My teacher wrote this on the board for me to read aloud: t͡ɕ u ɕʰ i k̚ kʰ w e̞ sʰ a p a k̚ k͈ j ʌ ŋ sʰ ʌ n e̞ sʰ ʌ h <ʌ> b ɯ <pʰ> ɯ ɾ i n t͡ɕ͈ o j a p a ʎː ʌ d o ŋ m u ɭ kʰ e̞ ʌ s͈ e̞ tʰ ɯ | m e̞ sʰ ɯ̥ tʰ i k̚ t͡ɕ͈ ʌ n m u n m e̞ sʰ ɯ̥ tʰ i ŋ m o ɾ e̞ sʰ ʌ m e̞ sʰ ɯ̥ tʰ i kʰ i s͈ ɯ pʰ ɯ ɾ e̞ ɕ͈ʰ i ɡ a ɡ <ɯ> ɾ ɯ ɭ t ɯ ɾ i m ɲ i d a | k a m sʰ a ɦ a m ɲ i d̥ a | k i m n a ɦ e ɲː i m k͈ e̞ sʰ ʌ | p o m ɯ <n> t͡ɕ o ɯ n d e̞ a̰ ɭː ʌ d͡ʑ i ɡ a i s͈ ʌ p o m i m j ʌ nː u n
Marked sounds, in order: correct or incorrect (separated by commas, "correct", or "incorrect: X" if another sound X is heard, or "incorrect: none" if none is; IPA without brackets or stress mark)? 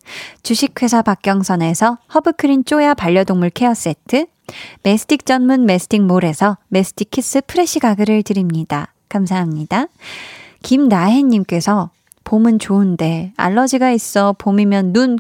correct, incorrect: kʰ, correct, correct